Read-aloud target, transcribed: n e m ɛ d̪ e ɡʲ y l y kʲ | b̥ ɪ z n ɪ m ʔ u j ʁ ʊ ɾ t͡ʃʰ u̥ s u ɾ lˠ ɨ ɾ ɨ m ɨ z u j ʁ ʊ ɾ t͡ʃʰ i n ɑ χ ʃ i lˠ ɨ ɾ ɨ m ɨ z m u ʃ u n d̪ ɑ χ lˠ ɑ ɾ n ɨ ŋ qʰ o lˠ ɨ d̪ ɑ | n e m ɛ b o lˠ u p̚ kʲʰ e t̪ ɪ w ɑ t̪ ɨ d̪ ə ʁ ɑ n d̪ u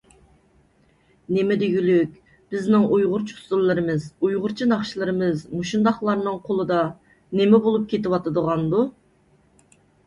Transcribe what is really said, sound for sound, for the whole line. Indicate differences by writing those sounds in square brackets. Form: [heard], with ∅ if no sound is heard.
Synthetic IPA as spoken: n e m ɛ d̪ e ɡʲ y l y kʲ | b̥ ɪ z n ɪ [ŋ] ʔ u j ʁ ʊ ɾ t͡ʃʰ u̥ s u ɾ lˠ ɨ ɾ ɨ m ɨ z u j ʁ ʊ ɾ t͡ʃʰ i n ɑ χ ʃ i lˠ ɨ ɾ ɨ m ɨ z m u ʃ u n d̪ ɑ χ lˠ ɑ ɾ n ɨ ŋ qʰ o lˠ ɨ d̪ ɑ | n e m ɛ b o lˠ u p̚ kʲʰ e t̪ ɪ w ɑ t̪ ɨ d̪ ə ʁ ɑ n d̪ u